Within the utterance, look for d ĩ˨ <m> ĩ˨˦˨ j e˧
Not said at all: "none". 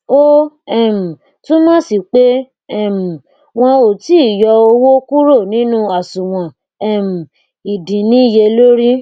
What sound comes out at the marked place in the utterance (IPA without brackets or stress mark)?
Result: n